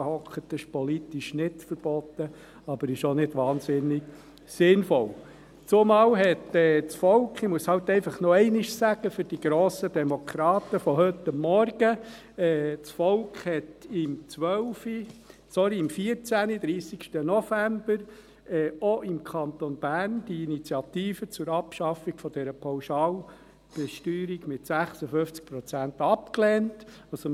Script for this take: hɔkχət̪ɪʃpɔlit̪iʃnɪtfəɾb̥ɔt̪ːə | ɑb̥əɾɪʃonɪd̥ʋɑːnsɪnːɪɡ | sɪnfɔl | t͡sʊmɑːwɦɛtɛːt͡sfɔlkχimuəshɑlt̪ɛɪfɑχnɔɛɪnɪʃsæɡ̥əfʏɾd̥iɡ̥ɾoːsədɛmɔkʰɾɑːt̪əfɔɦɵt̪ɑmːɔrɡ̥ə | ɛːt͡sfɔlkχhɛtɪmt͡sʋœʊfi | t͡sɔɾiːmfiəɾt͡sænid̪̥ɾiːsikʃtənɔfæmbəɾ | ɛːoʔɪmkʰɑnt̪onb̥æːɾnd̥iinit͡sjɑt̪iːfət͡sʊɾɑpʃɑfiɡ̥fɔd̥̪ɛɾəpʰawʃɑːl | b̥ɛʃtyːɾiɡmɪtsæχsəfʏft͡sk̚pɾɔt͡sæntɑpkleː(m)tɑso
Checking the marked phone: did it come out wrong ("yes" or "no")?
yes